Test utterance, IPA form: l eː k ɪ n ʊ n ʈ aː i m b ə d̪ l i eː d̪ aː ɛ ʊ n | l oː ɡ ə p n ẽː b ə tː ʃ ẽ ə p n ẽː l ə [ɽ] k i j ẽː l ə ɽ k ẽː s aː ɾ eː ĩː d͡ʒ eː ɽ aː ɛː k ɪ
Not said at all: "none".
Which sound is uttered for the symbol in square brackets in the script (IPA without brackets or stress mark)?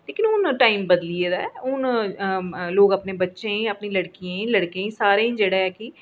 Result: ɽ